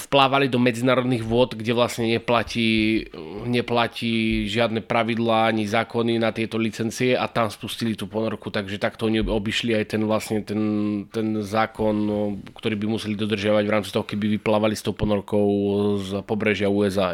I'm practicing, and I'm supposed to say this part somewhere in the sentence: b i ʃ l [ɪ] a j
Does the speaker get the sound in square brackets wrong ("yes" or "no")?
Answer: yes